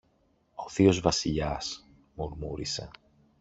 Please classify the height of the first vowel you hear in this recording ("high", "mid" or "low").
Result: mid